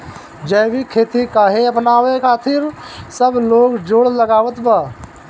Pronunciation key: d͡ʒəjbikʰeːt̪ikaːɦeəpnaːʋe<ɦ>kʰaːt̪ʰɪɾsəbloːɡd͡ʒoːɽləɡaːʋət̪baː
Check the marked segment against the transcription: incorrect: none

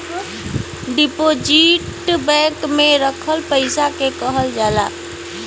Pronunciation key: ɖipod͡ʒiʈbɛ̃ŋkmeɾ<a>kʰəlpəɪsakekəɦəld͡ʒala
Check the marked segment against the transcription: incorrect: ə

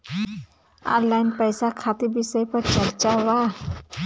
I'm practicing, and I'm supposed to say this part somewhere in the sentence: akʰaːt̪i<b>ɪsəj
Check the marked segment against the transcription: correct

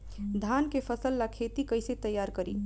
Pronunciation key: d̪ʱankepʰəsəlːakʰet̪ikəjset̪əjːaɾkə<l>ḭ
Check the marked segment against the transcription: incorrect: ɾ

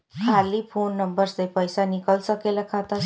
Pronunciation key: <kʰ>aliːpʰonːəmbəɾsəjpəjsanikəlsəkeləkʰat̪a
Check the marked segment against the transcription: correct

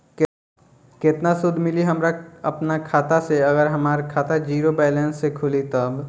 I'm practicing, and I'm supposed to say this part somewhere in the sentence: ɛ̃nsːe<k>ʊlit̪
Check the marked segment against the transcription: incorrect: kʰ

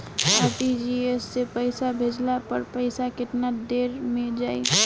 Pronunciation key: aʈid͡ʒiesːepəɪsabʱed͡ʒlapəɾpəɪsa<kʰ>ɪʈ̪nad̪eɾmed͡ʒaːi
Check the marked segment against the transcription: incorrect: k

